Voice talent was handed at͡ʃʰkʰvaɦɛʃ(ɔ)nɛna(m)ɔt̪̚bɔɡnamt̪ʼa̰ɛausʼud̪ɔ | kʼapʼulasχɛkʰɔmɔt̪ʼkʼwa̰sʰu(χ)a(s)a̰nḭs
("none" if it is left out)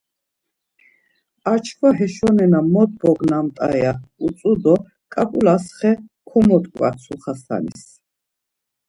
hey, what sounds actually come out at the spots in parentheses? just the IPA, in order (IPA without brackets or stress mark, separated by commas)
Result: ɔ, m, χ, s